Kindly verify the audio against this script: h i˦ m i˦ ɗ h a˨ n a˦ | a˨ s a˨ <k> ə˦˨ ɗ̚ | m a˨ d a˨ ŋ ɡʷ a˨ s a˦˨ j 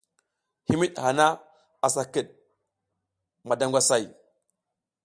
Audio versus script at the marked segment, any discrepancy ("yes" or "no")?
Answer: no